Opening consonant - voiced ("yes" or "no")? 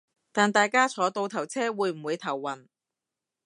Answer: no